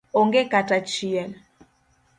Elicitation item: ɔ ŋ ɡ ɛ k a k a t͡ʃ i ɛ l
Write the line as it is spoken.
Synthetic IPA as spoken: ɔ ŋ ɡ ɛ k a t a t͡ʃ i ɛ l

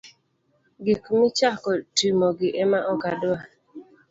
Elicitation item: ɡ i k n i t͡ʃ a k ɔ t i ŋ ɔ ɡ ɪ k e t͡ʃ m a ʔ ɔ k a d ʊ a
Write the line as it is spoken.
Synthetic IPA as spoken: ɡ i k m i t͡ʃ a k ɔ t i m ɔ ɡ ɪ ʔ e m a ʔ ɔ k a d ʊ a

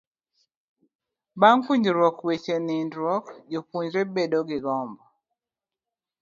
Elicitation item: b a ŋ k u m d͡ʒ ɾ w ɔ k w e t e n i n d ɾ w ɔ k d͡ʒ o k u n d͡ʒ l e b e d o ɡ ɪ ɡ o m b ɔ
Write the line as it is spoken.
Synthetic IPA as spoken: b a ŋ k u ɲ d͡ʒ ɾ w ɔ k w e t͡ʃ e n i n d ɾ w ɔ k d͡ʒ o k u ɲ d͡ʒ ɾ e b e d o ɡ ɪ ɡ ɔ m b ɔ

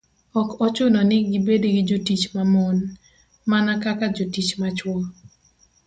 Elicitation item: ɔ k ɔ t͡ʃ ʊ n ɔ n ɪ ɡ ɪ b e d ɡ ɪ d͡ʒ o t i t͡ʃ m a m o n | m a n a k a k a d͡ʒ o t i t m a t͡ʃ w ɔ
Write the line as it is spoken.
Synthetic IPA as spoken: ɔ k ɔ t͡ʃ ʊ n ɔ n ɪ ɡ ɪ b e d ɡ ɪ d͡ʒ o t i t͡ʃ m a m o n | m a n a k a k a d͡ʒ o t i t͡ʃ m a t͡ʃ w ɔ

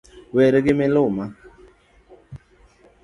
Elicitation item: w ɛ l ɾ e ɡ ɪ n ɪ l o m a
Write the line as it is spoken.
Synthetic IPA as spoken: w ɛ ɾ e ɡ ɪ m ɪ l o m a

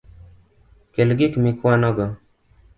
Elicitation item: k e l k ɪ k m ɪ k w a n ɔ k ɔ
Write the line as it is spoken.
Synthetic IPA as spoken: k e l ɡ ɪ k m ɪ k w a n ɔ ɡ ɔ

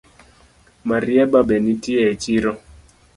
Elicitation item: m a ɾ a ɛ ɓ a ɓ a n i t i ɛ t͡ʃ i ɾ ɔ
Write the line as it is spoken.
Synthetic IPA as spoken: m a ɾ i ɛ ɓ a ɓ ɛ n i t i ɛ t͡ʃ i ɾ ɔ

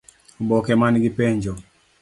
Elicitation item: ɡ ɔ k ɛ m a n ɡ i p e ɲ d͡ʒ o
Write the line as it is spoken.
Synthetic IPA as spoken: b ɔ k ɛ m a n ɡ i p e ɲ d͡ʒ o

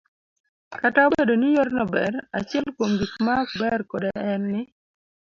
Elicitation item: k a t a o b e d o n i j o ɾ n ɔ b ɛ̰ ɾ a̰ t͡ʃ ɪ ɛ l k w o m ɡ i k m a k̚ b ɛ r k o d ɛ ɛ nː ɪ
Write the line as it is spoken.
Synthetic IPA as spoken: k a t a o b e d o n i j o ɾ n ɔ b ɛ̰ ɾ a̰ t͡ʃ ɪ ɛ l k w o m ɡ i k m a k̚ b ɛ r k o d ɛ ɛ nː ɪ

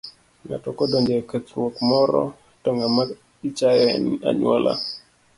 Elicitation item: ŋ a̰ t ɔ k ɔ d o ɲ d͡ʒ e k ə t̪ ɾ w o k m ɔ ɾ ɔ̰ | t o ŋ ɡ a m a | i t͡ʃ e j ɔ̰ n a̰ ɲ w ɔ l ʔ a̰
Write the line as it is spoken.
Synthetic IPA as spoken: ŋ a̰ t ɔ k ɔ d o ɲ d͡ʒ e k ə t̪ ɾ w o k m ɔ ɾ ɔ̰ | t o ŋ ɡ a m a | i t͡ʃ a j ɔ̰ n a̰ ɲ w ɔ l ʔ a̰

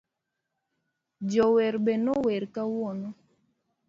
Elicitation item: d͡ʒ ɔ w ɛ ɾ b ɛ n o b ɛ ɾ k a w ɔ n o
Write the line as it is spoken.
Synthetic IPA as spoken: d͡ʒ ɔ w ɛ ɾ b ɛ n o w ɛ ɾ k a w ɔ n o

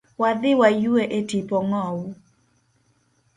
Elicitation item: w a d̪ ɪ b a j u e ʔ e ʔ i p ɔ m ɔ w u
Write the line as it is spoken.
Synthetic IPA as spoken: w a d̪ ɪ w a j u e ʔ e t i p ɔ ŋ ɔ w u

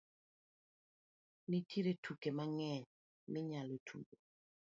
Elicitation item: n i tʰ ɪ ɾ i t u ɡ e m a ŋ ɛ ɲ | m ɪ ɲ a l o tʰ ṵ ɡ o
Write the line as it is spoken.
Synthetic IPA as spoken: n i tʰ i ɾ e t u k e m a ŋ ɛ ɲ | m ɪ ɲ a l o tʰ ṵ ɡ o

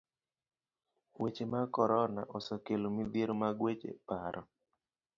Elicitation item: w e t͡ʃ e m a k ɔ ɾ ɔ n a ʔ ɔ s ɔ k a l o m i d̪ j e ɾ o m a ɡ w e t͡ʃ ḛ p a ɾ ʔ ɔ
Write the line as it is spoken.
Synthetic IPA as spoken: w e t͡ʃ e m a k ɔ ɾ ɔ n a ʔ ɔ s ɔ k e l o m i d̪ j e ɾ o m a ɡ w e t͡ʃ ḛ p a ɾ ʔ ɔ

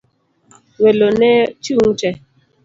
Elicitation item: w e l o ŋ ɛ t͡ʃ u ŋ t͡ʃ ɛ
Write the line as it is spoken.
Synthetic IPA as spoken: w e l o n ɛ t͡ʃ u ŋ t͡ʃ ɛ

